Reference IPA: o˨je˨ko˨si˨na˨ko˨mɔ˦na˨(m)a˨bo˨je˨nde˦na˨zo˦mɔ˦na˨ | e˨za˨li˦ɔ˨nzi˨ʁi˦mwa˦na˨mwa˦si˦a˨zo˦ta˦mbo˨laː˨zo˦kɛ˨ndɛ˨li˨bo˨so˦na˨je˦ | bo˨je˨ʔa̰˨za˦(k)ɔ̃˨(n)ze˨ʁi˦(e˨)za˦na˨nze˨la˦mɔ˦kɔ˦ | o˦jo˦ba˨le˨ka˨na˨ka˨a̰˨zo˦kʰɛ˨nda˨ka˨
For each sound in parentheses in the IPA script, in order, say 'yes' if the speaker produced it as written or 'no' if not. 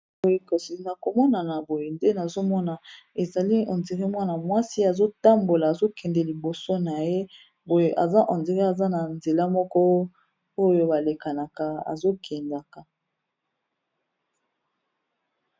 no, no, yes, no

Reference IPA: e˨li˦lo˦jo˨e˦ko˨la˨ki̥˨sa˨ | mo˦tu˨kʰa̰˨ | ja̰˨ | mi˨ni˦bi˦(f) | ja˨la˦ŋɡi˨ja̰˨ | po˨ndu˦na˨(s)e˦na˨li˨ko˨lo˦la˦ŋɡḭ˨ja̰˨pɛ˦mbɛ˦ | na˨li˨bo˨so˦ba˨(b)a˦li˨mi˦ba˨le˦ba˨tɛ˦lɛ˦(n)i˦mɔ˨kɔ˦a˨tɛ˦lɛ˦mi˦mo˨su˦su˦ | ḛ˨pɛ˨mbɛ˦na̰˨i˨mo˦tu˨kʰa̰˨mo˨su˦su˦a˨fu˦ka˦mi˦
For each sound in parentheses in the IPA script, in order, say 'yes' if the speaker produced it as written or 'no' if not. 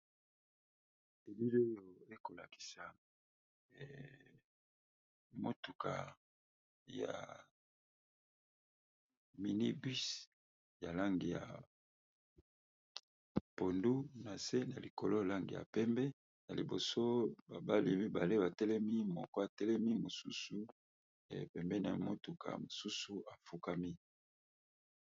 no, yes, yes, no

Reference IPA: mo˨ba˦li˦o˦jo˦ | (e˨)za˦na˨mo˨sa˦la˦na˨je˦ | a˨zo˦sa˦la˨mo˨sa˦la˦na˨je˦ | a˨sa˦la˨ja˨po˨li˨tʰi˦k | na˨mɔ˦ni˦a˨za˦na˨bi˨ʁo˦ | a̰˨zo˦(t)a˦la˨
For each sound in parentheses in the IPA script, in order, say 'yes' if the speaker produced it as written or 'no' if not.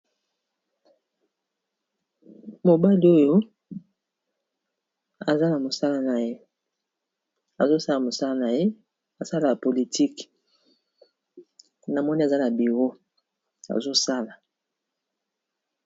no, no

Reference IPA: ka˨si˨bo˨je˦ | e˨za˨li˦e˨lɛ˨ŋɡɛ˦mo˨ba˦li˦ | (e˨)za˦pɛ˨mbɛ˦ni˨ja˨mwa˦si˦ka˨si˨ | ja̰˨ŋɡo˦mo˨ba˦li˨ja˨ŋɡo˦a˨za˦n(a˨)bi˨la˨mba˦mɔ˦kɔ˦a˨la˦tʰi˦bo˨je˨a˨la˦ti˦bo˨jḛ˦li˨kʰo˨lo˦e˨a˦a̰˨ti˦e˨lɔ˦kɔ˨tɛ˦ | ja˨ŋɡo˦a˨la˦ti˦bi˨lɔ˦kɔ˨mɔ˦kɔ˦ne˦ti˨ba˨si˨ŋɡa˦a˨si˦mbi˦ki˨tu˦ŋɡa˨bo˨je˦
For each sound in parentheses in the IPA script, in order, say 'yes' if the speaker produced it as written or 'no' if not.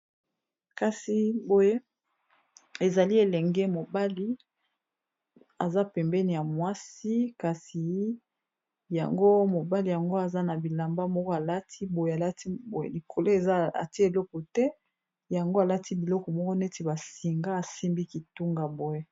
no, yes

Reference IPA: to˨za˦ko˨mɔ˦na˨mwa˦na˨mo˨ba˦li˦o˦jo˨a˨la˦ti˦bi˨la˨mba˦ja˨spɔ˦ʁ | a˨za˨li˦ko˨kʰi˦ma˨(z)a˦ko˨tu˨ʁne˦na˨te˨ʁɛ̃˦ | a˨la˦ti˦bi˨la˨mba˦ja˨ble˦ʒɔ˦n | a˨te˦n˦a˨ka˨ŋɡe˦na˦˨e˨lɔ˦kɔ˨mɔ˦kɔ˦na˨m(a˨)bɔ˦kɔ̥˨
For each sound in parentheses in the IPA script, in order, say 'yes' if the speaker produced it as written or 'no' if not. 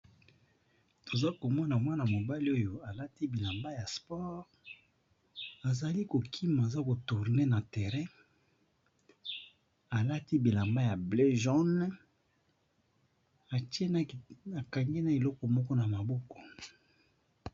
yes, yes

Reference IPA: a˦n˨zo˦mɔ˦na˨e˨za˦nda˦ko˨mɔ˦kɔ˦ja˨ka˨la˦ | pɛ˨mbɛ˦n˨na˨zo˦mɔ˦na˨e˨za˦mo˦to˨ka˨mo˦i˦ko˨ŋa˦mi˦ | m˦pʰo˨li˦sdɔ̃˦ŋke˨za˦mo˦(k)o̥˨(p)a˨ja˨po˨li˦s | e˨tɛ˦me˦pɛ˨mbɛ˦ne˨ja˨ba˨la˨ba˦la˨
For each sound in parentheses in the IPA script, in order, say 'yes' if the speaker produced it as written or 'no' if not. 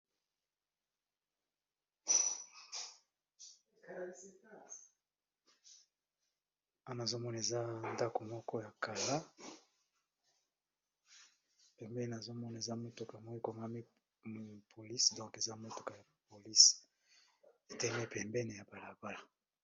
no, no

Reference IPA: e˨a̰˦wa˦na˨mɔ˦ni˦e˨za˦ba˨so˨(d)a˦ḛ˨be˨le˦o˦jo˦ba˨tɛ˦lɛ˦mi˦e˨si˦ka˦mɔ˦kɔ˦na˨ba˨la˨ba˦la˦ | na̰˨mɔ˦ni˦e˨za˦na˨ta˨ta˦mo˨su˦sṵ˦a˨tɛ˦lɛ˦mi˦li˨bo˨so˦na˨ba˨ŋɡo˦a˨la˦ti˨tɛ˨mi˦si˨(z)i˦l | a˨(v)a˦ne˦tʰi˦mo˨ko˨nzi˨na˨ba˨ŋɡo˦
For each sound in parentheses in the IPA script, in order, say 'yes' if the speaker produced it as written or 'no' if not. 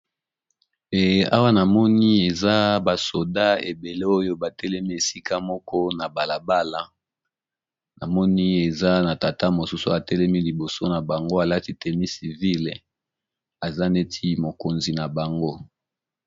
yes, no, no

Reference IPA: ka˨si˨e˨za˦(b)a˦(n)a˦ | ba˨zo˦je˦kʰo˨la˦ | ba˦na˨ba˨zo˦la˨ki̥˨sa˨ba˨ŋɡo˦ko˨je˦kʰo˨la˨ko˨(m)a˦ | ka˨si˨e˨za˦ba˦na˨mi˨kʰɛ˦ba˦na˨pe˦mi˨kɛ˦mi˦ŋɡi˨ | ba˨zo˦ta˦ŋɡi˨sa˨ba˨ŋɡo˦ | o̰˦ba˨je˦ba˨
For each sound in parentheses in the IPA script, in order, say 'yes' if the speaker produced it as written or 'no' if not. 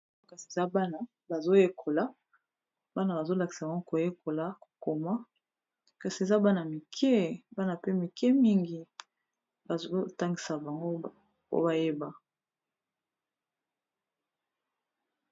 yes, yes, yes

